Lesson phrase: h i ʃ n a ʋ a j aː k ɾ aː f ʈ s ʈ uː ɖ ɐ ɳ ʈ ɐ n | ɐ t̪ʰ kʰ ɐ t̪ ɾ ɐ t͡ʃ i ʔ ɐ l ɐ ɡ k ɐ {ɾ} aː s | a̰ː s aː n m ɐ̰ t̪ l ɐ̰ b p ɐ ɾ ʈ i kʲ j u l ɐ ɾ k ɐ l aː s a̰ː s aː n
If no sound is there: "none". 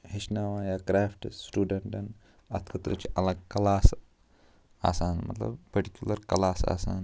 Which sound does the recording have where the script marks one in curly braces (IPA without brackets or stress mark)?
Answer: l